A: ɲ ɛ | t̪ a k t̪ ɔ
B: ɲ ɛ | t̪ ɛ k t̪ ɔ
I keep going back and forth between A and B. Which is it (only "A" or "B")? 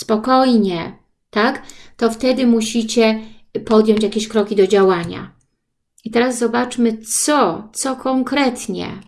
A